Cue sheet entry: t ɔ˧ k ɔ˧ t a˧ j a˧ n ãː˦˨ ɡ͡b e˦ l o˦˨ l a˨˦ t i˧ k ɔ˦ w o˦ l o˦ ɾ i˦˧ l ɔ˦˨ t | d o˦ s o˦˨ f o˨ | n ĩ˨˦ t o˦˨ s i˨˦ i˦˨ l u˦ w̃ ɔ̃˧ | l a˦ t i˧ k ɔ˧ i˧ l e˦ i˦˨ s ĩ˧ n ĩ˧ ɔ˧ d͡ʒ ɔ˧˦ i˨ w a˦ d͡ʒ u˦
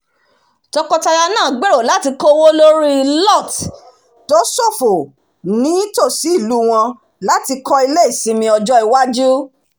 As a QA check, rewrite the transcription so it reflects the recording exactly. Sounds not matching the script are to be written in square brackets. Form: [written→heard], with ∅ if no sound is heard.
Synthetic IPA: t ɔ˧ k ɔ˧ t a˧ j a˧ n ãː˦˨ ɡ͡b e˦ [l→ɾ] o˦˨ l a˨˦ t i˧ k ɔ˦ w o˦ l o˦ ɾ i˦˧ l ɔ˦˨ t | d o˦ s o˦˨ f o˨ | n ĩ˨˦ t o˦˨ s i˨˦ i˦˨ l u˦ w̃ ɔ̃˧ | l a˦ t i˧ k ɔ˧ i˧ l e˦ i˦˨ s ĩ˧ [n→m] ĩ˧ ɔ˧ d͡ʒ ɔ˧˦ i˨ w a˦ d͡ʒ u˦